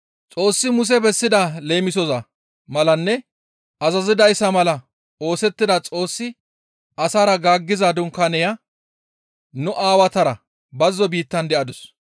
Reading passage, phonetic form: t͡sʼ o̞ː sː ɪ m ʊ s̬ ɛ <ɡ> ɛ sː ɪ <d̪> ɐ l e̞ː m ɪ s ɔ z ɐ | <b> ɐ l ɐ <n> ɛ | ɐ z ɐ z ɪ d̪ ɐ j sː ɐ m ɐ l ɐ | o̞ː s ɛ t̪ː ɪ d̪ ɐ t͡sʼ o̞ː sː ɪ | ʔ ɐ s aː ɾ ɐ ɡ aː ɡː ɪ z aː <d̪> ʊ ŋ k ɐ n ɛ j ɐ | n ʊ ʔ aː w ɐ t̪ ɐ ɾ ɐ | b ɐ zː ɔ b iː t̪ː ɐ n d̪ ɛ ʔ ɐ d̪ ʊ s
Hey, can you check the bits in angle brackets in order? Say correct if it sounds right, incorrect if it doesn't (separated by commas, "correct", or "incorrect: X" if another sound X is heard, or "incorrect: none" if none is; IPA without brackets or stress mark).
incorrect: b, correct, incorrect: m, incorrect: nː, correct